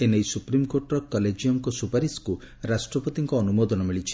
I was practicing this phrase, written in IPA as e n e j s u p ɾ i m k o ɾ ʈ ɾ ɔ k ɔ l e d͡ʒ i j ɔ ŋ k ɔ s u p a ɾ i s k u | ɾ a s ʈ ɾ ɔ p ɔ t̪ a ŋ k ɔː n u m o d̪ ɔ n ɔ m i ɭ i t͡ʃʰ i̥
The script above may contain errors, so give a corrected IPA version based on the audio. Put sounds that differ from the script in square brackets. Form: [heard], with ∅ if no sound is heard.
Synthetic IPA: e n e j s u p ɾ i m k o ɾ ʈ ɾ ɔ k ɔ l e d͡ʒ i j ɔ ŋ k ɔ s u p a ɾ i s k u | ɾ a s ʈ ɾ ɔ p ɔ t̪ [i] ŋ k ɔː n u m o d̪ ɔ n ɔ m i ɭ i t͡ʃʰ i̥